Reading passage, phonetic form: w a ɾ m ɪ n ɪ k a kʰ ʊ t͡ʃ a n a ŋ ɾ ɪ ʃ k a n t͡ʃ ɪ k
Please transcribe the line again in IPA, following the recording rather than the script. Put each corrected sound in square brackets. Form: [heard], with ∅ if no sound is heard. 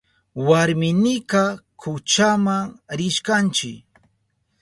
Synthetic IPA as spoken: w a ɾ m ɪ n ɪ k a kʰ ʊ t͡ʃ a [m] a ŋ ɾ ɪ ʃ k a n t͡ʃ ɪ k